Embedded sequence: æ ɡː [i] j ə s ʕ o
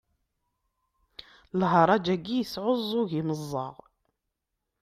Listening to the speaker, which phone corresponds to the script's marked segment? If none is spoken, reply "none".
i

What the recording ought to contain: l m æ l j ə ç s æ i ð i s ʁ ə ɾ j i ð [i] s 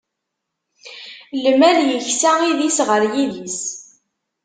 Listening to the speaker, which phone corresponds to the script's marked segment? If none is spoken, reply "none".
i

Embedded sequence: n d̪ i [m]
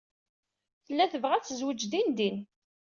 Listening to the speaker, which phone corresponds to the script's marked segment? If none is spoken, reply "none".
n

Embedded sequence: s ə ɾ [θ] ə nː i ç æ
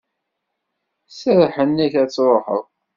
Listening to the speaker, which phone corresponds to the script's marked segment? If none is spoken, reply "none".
ħ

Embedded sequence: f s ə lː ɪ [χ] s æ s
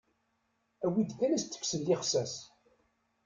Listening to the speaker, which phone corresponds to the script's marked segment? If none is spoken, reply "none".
χ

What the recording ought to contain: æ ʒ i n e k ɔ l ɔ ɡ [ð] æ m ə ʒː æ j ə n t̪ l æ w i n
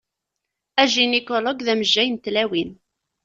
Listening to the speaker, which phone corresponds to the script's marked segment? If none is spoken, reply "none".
ð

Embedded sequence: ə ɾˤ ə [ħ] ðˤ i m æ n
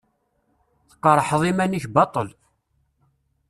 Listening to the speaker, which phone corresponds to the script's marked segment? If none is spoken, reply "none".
ħ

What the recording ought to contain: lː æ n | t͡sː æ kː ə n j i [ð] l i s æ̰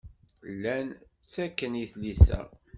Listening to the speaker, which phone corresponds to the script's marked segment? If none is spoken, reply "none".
θ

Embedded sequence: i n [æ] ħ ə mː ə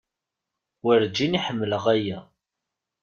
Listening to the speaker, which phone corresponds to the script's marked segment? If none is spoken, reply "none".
i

